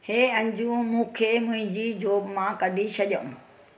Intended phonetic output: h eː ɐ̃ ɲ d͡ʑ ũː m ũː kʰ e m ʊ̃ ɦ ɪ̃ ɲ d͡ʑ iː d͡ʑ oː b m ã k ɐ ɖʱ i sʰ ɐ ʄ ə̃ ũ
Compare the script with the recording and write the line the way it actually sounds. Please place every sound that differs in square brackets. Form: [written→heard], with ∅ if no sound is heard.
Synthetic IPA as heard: h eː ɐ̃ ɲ d͡ʑ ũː m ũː kʰ e m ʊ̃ ɦ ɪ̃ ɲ d͡ʑ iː d͡ʑ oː b m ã k ɐ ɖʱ i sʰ ɐ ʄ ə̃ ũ